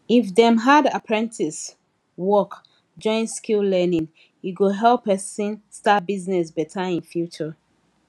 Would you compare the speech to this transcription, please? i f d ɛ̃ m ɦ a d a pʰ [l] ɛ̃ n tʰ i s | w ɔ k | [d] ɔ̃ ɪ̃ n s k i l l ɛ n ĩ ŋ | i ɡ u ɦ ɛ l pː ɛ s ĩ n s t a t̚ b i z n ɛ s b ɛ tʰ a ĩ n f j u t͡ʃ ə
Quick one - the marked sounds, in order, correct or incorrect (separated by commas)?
incorrect, incorrect